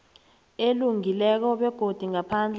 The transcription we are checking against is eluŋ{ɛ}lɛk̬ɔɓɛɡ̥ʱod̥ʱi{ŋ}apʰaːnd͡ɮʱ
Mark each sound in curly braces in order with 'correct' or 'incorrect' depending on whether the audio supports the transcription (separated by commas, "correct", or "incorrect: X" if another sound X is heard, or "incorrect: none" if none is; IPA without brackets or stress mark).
incorrect: i, correct